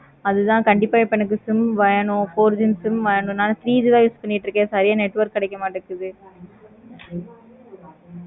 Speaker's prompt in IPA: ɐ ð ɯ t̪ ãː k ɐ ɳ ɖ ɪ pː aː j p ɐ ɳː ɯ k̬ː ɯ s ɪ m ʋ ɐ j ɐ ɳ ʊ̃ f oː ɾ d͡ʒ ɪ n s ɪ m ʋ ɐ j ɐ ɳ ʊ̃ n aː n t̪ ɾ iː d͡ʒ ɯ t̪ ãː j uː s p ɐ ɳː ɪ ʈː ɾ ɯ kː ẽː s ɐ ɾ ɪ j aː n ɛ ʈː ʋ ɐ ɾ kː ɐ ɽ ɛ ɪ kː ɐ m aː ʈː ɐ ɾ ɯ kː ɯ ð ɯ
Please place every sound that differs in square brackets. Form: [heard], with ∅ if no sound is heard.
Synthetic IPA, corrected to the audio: ɐ ð ɯ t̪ ãː k ɐ ɳ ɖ ɪ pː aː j p ɐ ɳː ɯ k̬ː ɯ s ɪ m ʋ ɐ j ɐ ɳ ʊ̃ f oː ɾ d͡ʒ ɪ n s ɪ m ʋ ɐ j ɐ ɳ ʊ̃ n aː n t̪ ɾ iː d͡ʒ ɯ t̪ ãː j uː s p ɐ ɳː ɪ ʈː ɾ ɯ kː ẽː s ɐ ɾ ɪ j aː n ɛ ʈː ʋ ɐ ɾ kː ɐ ɽ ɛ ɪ kː ɐ m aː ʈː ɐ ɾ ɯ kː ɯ ð ɯ